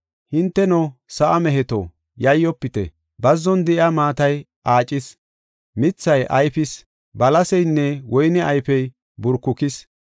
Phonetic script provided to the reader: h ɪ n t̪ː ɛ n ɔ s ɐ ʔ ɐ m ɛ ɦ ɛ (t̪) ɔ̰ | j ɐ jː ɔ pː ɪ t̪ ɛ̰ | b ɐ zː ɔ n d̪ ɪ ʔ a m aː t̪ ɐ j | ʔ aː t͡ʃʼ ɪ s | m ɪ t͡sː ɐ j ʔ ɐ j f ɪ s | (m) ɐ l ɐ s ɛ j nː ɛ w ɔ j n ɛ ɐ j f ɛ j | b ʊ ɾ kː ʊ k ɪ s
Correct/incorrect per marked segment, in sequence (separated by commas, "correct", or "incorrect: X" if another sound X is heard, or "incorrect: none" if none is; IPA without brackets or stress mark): correct, incorrect: b